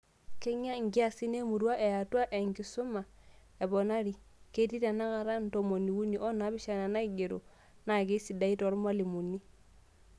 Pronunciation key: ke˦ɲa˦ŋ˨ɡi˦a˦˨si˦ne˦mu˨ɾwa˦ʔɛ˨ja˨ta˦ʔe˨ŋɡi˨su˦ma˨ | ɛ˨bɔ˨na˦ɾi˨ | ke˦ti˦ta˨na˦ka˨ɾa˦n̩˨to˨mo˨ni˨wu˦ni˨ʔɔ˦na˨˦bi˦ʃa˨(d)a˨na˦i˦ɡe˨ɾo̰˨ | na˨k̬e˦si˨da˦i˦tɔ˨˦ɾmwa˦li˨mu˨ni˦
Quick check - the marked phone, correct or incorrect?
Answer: incorrect